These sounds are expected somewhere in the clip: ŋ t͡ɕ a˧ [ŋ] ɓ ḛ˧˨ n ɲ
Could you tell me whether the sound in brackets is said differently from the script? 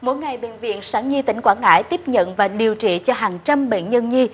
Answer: yes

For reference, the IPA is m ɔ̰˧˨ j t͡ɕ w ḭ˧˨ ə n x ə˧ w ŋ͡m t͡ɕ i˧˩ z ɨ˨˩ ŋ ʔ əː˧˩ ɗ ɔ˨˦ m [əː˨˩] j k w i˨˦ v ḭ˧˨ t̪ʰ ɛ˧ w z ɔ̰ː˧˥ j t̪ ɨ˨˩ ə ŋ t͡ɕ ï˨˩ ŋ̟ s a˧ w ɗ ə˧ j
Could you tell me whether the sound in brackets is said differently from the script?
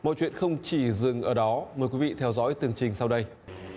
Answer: no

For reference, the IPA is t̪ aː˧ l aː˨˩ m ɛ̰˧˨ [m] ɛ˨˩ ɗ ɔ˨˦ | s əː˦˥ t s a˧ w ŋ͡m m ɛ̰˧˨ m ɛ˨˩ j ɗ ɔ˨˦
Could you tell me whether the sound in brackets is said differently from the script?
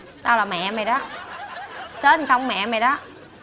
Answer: no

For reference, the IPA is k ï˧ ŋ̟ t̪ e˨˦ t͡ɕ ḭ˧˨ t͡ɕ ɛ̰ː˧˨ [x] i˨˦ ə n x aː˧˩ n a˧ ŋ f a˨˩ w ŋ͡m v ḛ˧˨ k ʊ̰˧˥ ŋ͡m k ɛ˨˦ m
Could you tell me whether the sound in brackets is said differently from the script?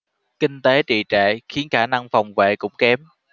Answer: no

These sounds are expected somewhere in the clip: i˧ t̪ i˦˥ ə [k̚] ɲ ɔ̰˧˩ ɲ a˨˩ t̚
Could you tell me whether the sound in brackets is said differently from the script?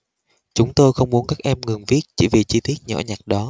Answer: yes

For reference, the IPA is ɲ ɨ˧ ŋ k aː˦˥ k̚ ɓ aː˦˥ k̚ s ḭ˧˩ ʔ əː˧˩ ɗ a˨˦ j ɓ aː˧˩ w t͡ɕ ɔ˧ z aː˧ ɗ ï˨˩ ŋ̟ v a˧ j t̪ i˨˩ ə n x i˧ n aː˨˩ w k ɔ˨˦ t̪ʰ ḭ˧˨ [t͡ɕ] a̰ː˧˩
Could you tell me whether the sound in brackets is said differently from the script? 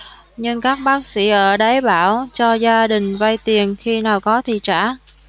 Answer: no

